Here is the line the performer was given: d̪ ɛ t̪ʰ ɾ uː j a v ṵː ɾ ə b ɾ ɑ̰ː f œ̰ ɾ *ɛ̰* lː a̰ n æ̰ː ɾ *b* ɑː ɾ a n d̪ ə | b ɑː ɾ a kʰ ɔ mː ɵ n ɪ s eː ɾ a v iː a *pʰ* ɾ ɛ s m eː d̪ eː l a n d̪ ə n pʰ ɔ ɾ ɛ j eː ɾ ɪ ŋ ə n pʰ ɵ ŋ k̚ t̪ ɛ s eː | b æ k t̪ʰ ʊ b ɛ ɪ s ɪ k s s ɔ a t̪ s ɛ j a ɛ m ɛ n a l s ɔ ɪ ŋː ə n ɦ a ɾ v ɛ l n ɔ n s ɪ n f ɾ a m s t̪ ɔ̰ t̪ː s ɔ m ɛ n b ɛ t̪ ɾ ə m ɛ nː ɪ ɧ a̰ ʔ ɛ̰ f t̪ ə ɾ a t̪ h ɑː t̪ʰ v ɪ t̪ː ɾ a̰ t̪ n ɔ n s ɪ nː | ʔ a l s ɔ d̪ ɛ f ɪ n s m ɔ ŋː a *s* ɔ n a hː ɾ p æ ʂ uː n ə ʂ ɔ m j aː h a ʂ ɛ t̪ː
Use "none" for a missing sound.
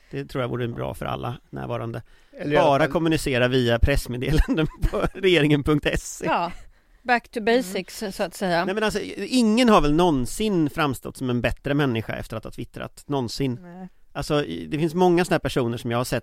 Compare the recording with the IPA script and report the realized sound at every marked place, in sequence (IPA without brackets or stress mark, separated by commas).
a̰, v, pʰ, s